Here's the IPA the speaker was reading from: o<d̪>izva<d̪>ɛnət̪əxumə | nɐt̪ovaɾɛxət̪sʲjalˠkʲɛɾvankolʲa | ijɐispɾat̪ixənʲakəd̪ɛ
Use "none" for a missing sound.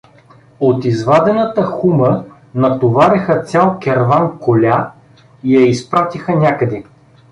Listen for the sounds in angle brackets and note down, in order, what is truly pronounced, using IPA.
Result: t̪, d̪

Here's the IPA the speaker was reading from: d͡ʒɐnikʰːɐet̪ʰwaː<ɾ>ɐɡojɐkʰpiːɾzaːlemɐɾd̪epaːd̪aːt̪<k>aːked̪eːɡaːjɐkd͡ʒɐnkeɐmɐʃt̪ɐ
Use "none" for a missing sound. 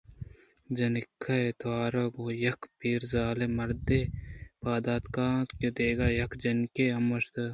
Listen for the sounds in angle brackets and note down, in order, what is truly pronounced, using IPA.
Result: ɾ, k

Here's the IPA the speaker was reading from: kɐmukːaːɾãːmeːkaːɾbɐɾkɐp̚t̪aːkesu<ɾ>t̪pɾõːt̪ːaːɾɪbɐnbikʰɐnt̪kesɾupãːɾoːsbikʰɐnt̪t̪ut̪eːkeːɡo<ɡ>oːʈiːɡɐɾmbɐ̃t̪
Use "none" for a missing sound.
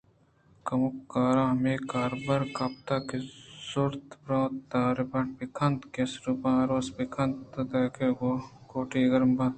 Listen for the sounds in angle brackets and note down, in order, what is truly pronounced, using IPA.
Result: ɾ, k

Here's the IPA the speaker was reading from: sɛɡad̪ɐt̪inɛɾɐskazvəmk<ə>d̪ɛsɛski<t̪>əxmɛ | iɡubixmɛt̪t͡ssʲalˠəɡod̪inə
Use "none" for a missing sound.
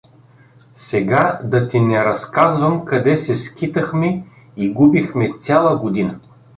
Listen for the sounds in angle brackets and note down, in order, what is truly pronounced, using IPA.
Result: ɐ, t̪

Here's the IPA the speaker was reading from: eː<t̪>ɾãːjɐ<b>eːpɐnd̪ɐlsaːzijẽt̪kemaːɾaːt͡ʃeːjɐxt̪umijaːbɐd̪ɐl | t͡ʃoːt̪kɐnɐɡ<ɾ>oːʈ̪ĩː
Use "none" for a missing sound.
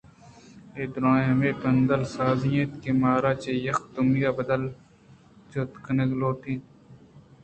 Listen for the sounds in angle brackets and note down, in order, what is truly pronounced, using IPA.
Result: d̪, m, l

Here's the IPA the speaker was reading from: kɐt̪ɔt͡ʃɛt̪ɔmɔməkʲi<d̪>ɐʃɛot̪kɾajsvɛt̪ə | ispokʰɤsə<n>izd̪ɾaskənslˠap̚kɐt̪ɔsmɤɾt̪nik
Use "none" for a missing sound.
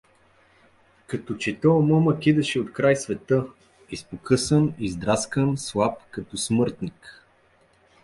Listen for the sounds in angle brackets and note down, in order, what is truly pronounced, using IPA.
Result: d̪, n

